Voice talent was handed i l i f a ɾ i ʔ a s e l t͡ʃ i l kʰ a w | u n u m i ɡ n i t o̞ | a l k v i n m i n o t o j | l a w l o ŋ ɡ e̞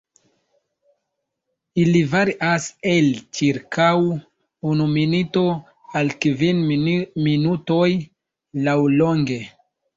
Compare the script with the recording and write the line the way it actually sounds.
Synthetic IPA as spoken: i l i v a ɾ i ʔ a s e l t͡ʃ i ɾ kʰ a w | u n u m i n i t o̞ | a l k v i n m i n u t o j | l a w l o ŋ ɡ e̞